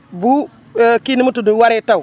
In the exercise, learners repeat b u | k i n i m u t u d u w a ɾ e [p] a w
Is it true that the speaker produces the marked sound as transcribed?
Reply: no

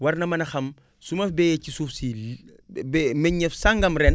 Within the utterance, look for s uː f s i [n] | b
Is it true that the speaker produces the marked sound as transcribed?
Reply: no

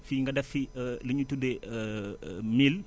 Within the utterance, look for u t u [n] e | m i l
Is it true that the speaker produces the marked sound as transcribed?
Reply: no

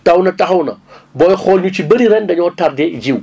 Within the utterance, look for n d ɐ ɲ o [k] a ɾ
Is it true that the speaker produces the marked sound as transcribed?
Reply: no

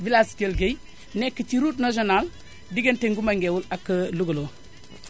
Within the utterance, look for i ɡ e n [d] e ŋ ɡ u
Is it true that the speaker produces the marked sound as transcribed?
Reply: no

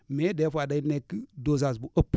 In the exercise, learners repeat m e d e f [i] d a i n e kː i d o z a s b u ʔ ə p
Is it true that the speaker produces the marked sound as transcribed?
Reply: no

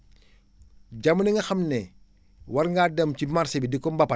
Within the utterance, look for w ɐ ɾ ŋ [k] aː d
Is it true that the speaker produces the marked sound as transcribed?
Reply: no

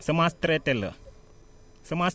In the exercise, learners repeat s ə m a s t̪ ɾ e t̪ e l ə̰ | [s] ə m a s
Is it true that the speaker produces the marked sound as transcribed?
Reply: yes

